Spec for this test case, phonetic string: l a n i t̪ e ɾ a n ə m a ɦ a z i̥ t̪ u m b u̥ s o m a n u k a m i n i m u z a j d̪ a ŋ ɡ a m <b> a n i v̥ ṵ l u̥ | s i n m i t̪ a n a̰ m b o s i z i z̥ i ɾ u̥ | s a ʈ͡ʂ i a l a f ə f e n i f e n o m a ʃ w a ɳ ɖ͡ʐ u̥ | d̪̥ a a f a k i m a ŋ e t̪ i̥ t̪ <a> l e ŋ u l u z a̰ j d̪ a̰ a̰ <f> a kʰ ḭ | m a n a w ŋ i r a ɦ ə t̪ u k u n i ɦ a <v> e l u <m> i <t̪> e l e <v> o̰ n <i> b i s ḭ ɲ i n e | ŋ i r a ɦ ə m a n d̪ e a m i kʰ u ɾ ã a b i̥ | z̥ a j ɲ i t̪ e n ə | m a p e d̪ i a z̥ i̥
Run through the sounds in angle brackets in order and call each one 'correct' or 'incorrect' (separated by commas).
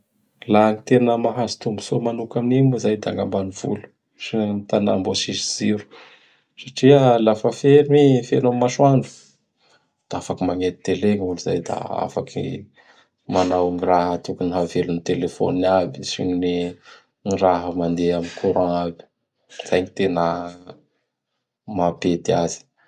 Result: correct, incorrect, correct, correct, incorrect, correct, incorrect, incorrect